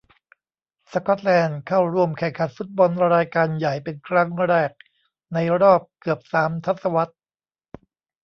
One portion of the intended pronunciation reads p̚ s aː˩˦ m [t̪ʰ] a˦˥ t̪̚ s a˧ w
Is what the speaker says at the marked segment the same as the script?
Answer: yes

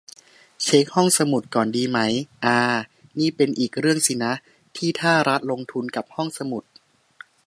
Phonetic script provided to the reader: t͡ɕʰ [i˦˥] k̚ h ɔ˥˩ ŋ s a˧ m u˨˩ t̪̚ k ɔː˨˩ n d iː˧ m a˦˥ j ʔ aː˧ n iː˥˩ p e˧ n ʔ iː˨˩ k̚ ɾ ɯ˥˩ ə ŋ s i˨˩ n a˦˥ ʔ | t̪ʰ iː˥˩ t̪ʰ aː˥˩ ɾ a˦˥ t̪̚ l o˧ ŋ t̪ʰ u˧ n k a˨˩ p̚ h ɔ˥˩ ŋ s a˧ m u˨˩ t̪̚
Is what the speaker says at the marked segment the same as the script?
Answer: no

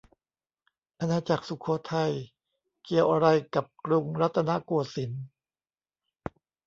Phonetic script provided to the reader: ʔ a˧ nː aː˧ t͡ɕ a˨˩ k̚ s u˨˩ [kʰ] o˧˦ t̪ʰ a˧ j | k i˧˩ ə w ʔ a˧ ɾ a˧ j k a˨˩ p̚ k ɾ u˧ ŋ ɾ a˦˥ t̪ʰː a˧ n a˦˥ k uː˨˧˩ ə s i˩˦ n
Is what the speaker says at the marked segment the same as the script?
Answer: yes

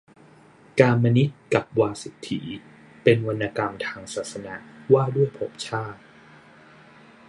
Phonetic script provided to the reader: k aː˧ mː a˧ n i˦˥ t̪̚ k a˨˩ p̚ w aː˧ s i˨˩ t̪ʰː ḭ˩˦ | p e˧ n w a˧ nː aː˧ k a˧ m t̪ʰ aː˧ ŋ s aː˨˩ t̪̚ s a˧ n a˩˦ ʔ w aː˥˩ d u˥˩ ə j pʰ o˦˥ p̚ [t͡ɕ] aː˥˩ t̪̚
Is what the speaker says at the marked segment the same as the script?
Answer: no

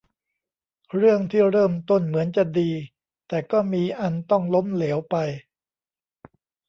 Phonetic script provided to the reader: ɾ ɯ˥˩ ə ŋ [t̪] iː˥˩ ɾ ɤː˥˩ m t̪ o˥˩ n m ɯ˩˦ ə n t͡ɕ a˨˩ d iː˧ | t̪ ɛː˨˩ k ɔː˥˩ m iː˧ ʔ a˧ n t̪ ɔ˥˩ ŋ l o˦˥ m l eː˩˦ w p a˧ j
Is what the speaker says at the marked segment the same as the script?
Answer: no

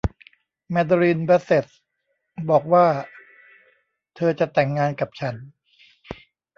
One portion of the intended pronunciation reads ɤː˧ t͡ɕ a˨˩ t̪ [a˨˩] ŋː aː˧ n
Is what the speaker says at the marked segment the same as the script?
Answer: no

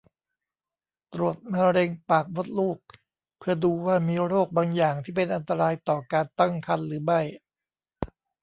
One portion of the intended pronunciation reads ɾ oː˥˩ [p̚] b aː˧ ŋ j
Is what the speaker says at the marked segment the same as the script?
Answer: no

